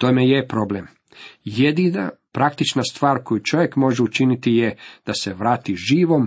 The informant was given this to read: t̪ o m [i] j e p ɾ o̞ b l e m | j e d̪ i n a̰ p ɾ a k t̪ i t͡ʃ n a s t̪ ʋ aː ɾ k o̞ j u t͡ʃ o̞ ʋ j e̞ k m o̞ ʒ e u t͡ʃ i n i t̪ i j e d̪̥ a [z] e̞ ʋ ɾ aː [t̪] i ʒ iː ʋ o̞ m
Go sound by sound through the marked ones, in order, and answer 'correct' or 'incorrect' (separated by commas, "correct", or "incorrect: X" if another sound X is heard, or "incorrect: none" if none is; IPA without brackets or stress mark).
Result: incorrect: e, incorrect: s, correct